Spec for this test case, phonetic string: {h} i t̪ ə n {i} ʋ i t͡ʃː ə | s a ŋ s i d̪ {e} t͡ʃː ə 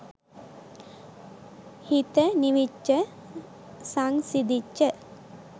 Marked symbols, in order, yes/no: yes, yes, no

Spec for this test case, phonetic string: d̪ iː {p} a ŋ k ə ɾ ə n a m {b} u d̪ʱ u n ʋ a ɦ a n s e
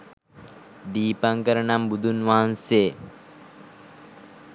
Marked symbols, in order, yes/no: yes, yes

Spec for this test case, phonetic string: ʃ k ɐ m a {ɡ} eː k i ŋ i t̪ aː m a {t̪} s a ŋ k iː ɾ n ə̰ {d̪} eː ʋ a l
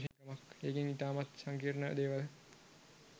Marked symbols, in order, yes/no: no, yes, yes

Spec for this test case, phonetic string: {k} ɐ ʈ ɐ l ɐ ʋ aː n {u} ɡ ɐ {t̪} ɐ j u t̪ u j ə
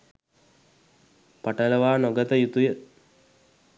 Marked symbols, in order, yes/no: no, no, yes

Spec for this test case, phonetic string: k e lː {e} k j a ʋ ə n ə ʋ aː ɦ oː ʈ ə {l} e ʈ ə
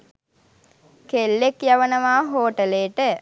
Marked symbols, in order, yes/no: yes, yes

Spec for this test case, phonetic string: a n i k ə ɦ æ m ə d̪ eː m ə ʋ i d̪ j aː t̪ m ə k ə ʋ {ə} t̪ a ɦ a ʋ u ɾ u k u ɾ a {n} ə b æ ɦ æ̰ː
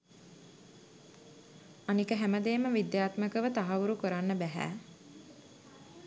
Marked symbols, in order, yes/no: yes, no

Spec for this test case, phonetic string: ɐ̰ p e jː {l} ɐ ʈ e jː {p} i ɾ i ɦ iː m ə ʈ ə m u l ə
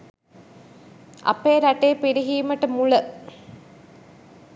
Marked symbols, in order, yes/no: no, yes

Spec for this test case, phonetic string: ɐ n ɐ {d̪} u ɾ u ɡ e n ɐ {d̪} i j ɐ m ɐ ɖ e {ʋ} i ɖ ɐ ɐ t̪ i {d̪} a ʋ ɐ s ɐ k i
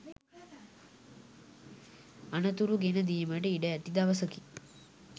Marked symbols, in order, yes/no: no, yes, no, yes

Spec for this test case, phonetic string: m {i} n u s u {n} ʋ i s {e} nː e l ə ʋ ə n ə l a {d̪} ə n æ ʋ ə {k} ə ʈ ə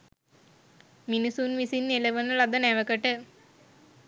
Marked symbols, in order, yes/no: yes, yes, no, yes, yes

